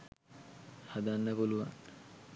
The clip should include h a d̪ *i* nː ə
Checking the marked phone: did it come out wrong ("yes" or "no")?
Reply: yes